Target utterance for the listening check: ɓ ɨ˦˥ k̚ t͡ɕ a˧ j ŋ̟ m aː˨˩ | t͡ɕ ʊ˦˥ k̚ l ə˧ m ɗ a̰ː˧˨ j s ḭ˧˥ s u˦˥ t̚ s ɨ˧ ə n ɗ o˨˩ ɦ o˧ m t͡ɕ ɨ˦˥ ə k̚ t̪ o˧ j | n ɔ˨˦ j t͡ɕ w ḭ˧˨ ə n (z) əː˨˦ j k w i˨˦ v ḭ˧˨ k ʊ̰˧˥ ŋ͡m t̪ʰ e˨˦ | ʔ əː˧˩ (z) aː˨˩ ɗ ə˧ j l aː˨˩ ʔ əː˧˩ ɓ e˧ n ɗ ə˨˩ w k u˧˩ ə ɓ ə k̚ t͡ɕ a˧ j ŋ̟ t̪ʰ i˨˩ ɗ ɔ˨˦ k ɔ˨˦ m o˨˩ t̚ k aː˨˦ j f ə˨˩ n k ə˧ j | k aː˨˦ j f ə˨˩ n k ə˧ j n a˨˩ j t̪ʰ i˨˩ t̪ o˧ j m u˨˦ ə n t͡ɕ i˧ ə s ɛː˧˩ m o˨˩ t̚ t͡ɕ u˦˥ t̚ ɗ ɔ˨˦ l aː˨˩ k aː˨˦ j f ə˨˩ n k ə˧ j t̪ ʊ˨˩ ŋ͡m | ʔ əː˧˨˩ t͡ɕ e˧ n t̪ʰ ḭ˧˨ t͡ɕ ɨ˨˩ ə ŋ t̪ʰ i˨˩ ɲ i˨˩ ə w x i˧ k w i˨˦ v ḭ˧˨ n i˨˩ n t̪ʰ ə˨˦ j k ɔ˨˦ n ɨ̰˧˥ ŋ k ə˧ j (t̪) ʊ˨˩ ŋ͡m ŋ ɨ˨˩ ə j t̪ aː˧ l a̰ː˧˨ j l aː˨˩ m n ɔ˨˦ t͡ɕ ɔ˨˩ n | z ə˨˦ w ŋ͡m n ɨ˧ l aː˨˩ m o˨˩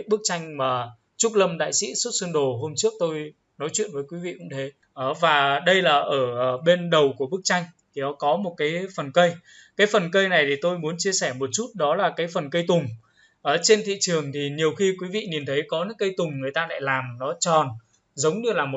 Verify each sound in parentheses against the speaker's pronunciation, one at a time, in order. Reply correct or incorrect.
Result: incorrect: v, incorrect: v, correct

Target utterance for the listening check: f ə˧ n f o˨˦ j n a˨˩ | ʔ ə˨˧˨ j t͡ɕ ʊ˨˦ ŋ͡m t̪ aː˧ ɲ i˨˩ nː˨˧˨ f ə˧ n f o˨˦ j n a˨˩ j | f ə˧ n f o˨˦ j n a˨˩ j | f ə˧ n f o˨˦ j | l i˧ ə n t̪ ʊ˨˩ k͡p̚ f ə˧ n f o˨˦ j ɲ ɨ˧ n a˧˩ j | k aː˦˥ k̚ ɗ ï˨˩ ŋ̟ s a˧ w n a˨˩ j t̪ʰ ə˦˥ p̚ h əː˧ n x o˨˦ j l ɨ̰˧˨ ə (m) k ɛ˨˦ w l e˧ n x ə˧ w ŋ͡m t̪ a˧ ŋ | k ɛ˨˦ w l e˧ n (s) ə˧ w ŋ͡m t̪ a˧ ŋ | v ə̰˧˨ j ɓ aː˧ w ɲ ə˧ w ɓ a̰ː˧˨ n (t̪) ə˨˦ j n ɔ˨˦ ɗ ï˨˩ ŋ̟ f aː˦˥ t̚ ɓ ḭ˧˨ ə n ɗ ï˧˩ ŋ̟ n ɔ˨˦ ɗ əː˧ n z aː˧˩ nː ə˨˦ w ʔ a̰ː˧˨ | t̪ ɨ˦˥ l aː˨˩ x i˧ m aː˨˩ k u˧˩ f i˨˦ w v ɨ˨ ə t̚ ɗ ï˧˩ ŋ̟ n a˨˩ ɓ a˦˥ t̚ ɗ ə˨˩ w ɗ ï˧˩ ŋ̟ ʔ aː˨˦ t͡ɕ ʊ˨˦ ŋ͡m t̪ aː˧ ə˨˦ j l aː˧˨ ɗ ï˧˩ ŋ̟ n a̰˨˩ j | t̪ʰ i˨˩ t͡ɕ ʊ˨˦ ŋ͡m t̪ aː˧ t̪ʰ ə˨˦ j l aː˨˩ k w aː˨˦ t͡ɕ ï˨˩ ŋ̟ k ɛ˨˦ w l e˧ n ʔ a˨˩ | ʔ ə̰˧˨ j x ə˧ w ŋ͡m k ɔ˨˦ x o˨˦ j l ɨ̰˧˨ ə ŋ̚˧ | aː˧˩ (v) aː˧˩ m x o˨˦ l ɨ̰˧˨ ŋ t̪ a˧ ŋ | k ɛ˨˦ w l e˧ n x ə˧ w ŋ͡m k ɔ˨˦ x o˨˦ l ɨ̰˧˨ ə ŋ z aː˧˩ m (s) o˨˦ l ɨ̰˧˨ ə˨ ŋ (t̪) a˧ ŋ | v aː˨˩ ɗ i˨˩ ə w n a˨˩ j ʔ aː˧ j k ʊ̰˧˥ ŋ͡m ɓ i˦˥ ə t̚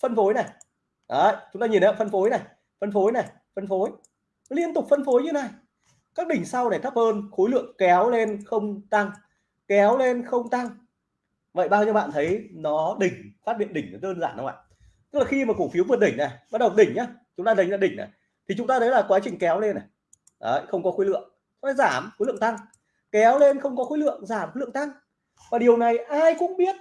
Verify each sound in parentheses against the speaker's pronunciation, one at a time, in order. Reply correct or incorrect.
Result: incorrect: ŋ, incorrect: x, incorrect: t̪ʰ, incorrect: z, incorrect: x, correct

